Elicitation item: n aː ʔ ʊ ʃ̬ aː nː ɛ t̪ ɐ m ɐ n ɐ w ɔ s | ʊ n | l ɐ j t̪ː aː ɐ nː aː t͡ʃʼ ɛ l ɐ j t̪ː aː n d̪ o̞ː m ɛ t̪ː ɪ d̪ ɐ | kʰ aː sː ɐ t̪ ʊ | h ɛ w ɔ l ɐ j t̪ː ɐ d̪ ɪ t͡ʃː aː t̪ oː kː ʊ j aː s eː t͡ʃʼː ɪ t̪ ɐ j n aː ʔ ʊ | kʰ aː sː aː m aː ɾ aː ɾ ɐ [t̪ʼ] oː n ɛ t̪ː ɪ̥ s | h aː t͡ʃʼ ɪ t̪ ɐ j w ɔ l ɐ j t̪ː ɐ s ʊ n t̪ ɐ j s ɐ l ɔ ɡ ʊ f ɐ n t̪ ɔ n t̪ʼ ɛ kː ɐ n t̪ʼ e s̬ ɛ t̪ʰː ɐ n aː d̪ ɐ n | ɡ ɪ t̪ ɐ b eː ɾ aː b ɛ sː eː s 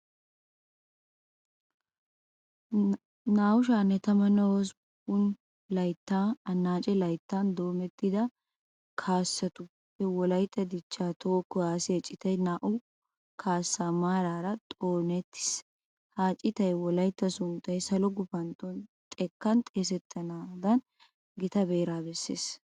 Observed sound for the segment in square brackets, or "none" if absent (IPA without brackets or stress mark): t̪ʼ